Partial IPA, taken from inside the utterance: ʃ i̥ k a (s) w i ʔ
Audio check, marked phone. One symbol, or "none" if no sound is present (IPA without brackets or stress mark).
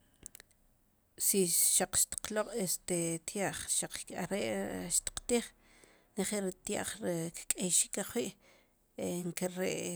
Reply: χ